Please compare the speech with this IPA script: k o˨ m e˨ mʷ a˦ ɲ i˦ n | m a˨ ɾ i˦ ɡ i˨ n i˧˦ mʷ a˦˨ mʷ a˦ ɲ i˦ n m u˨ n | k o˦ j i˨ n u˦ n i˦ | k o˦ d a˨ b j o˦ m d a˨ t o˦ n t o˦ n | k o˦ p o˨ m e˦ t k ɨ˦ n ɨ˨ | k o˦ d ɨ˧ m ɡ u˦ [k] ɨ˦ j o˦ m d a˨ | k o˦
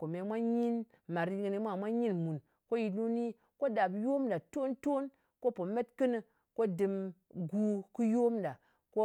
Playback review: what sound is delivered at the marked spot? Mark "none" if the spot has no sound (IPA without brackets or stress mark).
k